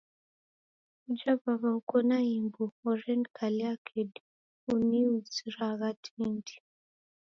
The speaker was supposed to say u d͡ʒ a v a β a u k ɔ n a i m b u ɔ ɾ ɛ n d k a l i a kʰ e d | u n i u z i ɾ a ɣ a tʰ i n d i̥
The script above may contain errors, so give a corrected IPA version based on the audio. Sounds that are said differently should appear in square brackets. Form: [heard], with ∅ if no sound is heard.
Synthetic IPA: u d͡ʒ a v a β a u k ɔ n a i m b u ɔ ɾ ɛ n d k a l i a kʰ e d | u n i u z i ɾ a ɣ a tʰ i n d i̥